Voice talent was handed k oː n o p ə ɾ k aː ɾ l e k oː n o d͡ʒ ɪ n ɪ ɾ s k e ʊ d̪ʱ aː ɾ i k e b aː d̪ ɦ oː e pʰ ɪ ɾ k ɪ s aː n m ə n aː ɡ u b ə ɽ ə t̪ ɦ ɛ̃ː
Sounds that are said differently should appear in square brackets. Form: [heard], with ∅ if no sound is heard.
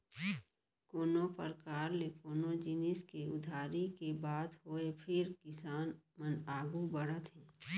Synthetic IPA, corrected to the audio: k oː n o p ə ɾ k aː ɾ l e k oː n o d͡ʒ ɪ n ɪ [∅] s k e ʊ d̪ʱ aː ɾ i k e b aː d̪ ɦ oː e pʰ ɪ ɾ k ɪ s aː n m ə n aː ɡ u b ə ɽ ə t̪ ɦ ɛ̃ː